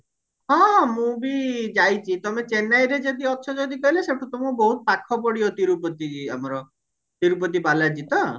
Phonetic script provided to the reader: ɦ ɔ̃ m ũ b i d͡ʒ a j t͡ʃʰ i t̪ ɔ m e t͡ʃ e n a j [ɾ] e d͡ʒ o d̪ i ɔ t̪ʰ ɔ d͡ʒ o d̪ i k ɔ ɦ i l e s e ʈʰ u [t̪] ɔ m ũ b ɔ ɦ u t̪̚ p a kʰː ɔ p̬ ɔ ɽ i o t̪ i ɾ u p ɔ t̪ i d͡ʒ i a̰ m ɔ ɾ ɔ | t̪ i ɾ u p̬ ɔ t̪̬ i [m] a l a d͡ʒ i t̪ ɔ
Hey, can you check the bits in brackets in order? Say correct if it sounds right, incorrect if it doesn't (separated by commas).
correct, correct, incorrect